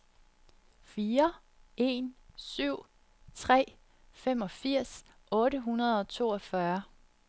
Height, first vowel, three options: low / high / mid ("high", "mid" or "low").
high